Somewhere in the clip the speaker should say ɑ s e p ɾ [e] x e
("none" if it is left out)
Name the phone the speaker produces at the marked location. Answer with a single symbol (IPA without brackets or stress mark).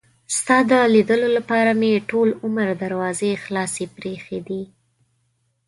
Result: e